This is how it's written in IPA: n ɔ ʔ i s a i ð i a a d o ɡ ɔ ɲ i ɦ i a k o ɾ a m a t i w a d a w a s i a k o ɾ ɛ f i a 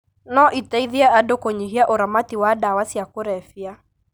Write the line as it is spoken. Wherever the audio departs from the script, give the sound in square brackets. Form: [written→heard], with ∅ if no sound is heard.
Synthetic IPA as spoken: n ɔ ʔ i [s→t] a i ð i a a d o [ɡ→k] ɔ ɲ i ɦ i a [k→ʔ] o ɾ a m a t i w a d a w a s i a k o ɾ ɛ f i a